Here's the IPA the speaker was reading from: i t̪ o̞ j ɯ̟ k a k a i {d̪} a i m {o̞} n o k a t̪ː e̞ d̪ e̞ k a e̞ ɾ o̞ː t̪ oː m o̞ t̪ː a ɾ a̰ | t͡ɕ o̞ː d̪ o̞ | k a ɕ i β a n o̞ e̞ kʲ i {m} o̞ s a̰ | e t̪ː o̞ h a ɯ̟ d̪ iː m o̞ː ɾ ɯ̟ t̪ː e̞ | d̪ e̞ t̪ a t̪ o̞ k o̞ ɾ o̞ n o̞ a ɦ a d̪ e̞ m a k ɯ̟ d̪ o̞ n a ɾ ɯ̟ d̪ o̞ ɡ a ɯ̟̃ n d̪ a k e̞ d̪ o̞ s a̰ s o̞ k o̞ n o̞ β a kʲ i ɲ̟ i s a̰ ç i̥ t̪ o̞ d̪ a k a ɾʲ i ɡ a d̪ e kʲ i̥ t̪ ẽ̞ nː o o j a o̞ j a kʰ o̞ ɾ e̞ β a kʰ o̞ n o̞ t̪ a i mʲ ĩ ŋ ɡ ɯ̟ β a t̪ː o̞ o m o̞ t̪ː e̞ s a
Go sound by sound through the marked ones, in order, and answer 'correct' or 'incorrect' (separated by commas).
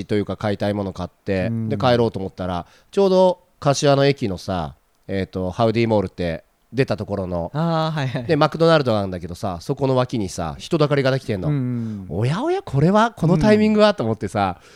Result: incorrect, correct, incorrect